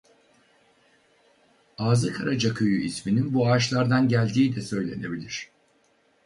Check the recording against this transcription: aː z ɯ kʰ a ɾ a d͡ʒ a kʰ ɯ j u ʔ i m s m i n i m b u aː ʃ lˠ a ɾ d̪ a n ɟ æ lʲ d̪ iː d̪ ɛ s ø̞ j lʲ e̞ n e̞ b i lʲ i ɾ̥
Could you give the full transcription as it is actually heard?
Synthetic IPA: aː z ɯ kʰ a ɾ a d͡ʒ a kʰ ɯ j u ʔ i s m i n i n b u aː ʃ lˠ a ɾ d̪ a n ɟ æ lʲ d̪ iː d̪ ɛ s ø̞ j lʲ e̞ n e̞ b i lʲ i ɾ̥